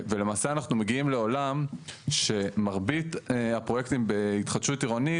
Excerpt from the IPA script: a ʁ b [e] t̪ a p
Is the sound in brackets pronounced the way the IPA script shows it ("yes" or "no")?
no